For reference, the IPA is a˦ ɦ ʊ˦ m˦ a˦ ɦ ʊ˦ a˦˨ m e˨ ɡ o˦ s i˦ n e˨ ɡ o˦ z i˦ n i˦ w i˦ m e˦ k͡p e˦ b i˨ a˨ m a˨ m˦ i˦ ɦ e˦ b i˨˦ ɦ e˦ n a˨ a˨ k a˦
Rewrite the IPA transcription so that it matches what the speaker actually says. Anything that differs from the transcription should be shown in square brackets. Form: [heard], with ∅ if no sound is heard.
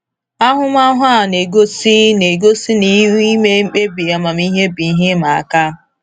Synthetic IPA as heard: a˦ ɦ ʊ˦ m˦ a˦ ɦ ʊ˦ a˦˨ [n] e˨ ɡ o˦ s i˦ n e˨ ɡ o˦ [s] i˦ n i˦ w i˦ m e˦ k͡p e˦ b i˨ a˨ m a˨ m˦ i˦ ɦ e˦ b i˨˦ ɦ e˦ [m] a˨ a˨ k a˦

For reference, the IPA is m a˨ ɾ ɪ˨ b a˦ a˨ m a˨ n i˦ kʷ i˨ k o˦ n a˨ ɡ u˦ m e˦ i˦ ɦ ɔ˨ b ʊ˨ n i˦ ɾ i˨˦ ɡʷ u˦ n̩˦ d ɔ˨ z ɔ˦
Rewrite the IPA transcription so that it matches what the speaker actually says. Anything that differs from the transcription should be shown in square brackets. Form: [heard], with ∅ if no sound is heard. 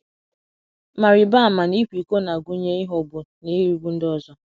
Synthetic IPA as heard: m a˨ ɾ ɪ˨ b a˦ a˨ m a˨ n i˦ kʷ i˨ k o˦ n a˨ ɡ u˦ [ɲ] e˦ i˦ ɦ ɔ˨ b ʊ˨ n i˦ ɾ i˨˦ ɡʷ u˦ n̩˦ d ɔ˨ z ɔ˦

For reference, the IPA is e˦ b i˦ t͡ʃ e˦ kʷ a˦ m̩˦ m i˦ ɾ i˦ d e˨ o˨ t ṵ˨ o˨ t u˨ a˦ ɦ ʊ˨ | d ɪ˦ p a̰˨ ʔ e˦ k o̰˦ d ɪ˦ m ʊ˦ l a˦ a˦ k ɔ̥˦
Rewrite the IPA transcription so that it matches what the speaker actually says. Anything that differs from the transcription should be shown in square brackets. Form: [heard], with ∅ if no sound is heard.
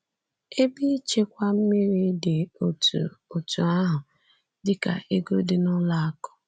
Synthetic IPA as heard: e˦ b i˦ t͡ʃ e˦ kʷ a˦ m̩˦ m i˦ ɾ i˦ d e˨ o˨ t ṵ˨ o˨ t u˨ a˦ ɦ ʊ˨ | d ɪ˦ [k] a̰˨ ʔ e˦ [ɡ] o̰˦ d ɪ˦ [n] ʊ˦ l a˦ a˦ k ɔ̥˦

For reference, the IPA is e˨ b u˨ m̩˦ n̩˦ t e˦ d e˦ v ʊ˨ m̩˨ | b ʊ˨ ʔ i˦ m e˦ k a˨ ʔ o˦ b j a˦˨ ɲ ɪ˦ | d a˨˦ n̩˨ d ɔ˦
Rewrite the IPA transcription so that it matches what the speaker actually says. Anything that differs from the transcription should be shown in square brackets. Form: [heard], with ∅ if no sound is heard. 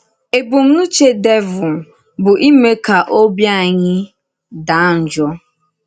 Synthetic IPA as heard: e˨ b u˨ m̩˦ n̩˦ [t͡ʃ] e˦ d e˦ v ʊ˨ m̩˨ | b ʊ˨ ʔ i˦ m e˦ k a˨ ʔ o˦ b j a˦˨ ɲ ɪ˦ | d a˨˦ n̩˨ [d͡ʒ] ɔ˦

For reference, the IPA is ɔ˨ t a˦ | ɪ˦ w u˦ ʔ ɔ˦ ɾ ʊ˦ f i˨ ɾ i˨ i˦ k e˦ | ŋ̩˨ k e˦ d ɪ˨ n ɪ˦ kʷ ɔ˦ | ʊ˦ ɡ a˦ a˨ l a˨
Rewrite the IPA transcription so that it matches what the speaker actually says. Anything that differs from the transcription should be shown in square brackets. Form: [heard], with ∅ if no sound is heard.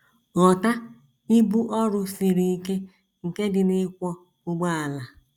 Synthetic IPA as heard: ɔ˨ t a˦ | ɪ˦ [b] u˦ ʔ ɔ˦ ɾ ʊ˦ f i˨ ɾ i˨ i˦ k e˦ | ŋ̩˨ k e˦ d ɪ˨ n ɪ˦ kʷ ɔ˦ | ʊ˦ [ɡ͡b] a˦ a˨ l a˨

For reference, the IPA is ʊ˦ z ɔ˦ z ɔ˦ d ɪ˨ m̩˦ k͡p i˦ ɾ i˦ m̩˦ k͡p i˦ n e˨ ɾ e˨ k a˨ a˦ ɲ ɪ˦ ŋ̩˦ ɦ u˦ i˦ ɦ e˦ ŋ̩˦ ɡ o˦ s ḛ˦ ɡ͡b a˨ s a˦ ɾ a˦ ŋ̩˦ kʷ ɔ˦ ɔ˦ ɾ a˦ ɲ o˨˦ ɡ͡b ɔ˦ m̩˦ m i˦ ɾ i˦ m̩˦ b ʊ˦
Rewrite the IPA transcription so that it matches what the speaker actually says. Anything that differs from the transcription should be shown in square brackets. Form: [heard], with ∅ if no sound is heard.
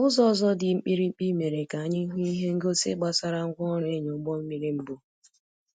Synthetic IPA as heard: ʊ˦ z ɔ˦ z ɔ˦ d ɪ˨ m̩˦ k͡p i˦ ɾ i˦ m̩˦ k͡p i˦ [m] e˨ ɾ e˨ k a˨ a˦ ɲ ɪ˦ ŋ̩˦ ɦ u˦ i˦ ɦ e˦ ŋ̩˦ ɡ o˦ s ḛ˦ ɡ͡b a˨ s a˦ ɾ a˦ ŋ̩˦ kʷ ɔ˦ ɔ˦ ɾ [e˦] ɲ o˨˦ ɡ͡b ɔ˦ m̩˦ m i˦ ɾ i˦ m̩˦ b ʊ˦

